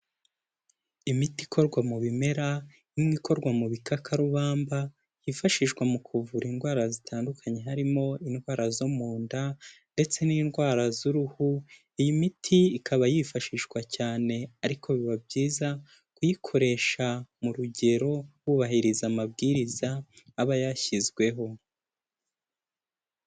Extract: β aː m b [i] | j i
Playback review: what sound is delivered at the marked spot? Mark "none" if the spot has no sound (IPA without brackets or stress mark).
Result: a